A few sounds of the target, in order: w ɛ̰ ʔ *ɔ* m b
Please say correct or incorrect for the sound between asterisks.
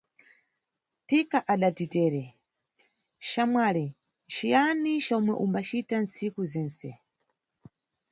incorrect